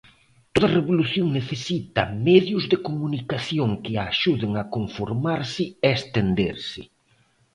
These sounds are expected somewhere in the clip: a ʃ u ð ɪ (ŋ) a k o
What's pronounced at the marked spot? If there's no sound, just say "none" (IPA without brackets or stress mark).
ŋ